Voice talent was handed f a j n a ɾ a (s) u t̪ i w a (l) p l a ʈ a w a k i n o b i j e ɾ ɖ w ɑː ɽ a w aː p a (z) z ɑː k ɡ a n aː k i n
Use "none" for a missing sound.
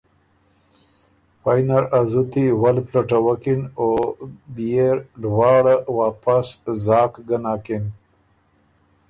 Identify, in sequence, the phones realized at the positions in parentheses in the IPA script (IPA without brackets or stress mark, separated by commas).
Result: z, l, s